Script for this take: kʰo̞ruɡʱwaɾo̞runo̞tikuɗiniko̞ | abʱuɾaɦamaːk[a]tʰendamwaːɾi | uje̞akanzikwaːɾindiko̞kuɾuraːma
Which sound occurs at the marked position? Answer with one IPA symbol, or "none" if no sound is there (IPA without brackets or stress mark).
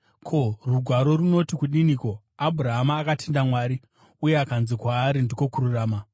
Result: a